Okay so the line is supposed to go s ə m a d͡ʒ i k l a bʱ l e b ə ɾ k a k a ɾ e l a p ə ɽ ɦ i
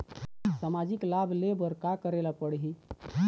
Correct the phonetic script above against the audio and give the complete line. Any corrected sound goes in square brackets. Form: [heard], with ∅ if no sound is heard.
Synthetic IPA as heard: s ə m a d͡ʒ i k l a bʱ l e b ə ɾ k a k [ə] ɾ e l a p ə ɽ ɦ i